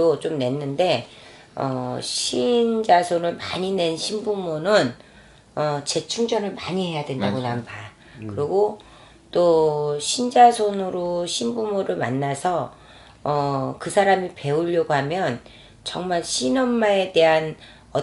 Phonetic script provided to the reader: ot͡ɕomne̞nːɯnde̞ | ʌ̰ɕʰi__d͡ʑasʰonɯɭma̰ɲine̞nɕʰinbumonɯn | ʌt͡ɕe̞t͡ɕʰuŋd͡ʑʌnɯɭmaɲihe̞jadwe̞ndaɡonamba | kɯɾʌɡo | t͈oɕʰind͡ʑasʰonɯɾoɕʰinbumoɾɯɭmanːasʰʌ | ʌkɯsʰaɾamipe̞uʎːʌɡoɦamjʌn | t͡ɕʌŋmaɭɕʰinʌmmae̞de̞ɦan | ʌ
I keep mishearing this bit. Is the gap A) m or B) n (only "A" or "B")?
B